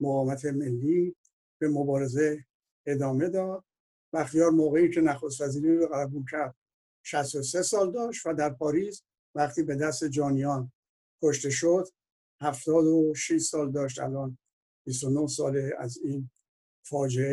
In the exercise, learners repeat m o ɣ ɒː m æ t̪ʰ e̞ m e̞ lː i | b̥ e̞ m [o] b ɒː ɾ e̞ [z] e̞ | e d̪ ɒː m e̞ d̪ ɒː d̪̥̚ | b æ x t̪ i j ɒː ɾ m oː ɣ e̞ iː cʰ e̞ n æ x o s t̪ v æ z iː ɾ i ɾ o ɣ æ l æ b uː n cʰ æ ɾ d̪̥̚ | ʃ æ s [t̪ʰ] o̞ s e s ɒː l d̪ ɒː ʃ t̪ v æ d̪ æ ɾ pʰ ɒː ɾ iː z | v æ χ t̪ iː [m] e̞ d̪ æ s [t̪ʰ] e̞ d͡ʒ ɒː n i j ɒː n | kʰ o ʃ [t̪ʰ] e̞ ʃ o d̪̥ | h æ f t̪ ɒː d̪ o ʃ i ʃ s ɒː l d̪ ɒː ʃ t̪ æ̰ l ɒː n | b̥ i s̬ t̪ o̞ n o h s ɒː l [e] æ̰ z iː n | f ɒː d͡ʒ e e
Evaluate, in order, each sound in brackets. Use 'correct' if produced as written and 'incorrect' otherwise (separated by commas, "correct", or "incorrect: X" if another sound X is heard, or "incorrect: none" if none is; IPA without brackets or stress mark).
correct, correct, incorrect: t̪, incorrect: b, incorrect: t̪, incorrect: t̪, correct